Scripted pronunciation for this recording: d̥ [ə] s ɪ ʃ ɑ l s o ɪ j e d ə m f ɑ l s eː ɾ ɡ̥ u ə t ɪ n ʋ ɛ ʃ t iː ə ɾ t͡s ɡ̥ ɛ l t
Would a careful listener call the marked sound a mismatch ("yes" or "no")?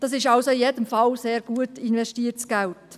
yes